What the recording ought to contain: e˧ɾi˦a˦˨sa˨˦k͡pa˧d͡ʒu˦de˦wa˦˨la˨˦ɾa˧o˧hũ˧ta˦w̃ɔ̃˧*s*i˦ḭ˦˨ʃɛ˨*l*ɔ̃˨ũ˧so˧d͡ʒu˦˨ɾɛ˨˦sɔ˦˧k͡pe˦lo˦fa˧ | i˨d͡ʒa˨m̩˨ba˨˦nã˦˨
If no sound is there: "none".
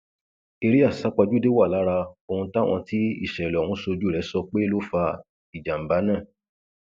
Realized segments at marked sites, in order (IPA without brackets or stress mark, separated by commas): t, l